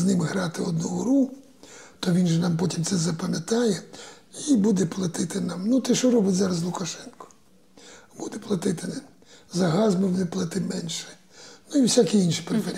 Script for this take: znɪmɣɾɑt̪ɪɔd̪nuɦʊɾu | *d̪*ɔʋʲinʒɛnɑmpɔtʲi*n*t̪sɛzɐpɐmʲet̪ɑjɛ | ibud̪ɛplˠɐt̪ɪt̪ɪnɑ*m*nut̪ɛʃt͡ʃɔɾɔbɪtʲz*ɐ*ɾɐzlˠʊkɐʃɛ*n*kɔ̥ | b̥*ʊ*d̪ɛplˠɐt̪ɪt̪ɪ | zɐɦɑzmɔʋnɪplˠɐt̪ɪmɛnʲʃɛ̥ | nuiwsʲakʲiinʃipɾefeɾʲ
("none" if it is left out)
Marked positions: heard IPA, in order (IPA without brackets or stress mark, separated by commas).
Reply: t̪, m, m, ɑ, n, u